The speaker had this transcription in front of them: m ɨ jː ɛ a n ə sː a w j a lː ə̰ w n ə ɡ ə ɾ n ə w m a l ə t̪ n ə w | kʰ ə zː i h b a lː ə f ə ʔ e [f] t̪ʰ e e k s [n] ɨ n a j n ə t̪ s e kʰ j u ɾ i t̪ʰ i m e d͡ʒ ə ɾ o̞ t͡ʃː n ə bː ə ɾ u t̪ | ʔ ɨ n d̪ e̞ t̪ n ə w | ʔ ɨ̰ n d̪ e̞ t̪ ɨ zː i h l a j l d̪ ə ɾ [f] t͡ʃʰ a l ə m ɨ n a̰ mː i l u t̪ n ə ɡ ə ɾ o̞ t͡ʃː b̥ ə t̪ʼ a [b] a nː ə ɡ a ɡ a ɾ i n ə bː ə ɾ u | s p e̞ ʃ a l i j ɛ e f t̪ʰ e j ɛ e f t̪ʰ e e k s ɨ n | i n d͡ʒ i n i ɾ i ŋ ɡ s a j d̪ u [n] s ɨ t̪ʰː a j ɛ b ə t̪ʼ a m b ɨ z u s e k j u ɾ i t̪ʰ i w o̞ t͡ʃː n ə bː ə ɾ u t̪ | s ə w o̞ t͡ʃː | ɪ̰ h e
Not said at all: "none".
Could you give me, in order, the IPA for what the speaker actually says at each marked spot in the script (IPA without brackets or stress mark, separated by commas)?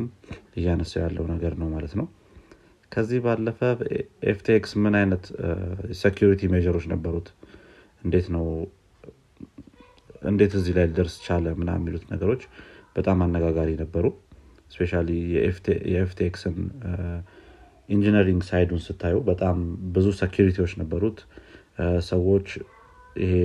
f, m, s, m, n